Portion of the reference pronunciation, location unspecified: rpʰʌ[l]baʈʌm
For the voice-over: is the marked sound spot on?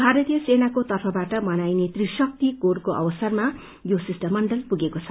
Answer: no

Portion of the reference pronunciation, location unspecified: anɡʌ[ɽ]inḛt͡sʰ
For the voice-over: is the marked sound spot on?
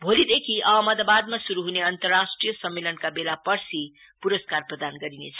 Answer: no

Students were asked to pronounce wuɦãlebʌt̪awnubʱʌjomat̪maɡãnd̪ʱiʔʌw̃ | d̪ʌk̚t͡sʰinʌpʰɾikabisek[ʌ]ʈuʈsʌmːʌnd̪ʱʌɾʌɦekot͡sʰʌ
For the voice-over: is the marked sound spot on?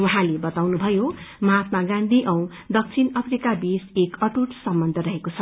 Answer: yes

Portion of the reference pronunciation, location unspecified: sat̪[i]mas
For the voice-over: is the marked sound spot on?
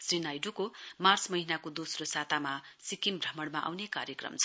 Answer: no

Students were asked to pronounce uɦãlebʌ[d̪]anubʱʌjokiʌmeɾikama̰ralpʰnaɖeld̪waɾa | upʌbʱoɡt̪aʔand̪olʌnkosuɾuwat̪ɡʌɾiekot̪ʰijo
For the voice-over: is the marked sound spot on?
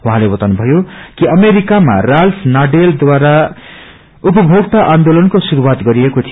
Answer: no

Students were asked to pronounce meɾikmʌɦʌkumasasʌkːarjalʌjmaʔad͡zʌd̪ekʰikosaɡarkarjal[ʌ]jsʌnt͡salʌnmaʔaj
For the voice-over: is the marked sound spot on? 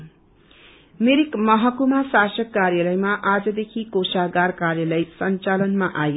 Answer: yes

